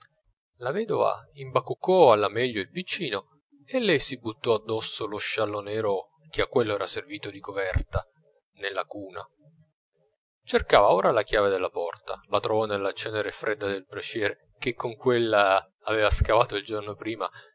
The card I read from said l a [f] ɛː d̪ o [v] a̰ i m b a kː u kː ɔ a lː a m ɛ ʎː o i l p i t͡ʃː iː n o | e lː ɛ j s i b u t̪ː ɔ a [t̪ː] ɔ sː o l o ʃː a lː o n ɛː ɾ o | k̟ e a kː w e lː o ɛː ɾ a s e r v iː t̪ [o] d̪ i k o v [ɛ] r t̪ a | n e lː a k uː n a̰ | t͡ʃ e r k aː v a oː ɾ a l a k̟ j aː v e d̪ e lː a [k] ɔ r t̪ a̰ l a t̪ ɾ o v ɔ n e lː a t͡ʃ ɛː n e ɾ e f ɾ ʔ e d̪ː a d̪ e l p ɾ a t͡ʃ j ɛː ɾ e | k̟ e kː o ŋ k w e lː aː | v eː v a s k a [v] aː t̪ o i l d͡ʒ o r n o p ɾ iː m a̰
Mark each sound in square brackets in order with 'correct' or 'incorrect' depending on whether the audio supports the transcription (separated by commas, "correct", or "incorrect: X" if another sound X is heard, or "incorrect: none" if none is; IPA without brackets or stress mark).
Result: incorrect: v, correct, incorrect: d̪ː, correct, correct, incorrect: p, correct